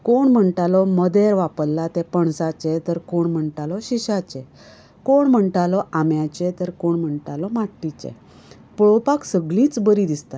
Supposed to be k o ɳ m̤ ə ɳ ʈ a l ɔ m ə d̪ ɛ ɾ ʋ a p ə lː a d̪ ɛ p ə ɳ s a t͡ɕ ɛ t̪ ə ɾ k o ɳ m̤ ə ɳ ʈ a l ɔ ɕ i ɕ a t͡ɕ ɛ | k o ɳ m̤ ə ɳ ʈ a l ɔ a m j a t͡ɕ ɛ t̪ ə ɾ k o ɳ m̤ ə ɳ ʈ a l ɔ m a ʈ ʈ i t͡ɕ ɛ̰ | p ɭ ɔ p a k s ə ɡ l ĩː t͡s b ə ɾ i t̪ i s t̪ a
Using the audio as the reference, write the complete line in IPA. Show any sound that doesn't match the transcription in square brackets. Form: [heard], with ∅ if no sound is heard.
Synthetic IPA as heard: k o ɳ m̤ ə ɳ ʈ a l ɔ m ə d̪ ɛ ɾ ʋ a p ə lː a [t̪] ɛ p ə ɳ s a t͡ɕ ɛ t̪ ə ɾ k o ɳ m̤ ə ɳ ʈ a l ɔ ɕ i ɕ a t͡ɕ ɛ | k o ɳ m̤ ə ɳ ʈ a l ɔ a m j a t͡ɕ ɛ t̪ ə ɾ k o ɳ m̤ ə ɳ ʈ a l ɔ m a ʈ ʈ i t͡ɕ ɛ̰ | p ɭ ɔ p a k s ə ɡ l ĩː t͡s b ə ɾ i [d̪] i s t̪ a